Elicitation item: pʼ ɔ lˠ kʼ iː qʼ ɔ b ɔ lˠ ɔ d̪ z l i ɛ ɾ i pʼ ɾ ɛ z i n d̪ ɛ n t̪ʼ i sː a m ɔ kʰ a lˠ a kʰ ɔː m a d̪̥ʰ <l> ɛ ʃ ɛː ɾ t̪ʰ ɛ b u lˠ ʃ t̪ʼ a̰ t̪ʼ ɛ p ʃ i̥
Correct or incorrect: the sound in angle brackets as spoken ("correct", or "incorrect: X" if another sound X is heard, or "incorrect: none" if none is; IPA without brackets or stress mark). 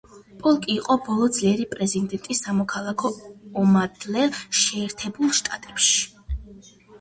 correct